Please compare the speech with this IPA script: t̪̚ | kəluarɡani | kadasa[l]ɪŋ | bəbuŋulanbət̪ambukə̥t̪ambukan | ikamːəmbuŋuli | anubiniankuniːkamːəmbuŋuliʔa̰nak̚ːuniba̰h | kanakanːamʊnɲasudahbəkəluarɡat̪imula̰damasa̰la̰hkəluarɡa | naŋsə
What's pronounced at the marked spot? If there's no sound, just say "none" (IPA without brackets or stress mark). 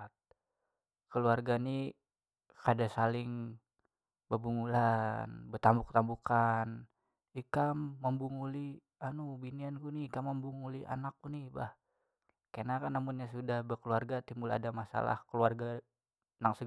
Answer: l